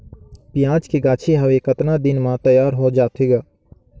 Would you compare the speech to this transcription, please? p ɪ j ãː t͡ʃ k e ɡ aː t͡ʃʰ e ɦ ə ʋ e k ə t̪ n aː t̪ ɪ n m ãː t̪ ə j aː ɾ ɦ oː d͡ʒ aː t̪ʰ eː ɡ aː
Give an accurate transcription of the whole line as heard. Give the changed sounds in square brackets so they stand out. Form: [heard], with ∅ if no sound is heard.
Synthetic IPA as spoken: p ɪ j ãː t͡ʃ k e ɡ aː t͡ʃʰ e ɦ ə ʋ e k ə t̪ n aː [d̪] ɪ n m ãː t̪ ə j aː ɾ ɦ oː d͡ʒ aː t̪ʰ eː ɡ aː